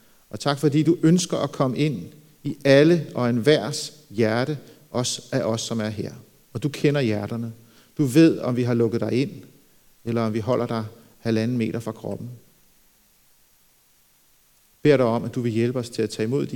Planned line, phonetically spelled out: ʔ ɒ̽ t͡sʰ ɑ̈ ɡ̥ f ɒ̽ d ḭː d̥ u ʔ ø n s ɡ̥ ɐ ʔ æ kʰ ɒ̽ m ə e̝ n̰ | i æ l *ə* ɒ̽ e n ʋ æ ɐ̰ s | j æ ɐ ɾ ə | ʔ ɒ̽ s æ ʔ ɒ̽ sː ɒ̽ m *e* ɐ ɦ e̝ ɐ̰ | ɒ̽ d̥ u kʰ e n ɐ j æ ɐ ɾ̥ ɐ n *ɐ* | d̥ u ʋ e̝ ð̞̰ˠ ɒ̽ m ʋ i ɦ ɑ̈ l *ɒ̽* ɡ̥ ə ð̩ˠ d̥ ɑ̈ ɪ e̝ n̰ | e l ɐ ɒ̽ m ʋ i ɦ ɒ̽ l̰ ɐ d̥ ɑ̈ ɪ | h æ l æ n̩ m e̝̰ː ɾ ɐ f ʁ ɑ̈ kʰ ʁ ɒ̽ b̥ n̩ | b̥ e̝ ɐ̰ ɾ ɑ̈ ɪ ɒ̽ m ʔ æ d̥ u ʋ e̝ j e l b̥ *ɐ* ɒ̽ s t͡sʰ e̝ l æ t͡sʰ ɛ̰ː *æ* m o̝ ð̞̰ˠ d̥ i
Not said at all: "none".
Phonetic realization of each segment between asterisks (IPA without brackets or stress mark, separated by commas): ə, æ, ə, ɔ̽, ə, i